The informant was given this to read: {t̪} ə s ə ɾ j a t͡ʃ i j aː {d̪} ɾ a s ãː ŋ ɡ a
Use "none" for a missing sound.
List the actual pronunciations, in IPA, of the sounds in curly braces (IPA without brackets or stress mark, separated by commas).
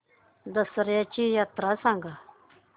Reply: d̪, t̪